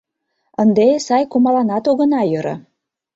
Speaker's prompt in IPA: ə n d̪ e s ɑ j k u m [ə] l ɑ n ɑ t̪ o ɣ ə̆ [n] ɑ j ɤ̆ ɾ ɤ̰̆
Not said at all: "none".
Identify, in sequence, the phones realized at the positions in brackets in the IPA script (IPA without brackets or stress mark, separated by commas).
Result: ɑ, n